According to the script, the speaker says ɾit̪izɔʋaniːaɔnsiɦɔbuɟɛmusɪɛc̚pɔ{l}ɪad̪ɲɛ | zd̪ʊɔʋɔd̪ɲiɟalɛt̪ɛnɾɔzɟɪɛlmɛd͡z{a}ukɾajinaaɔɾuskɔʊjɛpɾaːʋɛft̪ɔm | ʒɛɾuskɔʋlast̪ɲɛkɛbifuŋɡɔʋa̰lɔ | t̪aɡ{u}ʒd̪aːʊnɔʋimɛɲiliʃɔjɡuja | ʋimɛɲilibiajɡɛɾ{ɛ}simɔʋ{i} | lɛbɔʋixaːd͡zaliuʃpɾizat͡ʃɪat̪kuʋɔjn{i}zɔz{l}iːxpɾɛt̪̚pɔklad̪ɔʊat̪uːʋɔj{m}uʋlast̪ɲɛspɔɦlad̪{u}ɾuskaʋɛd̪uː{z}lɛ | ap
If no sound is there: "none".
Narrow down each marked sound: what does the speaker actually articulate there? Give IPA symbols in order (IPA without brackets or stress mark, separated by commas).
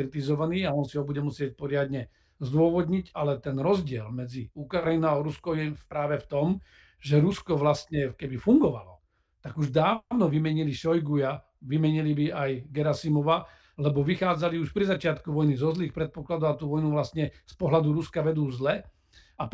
ɾ, i, u, a, a, i, l, n, u, z